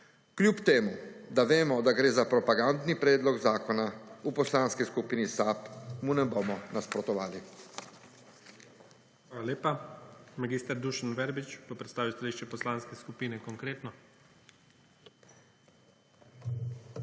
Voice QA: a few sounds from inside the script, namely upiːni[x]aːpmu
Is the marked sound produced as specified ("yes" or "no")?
no